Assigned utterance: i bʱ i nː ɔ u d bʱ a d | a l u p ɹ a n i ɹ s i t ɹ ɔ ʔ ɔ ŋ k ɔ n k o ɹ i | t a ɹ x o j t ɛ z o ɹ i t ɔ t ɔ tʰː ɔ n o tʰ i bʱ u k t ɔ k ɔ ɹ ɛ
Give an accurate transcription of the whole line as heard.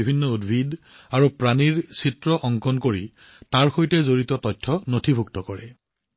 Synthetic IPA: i bʱ i nː ɔ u d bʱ i d | a ɹ u p ɹ a n i ɹ s i t ɹ ɔ ʔ ɔ ŋ k ɔ n k o ɹ i | t a ɹ x o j t ɛ z o ɹ i t ɔ t ɔ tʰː ɔ n o tʰ i bʱ u k t ɔ k ɔ ɹ ɛ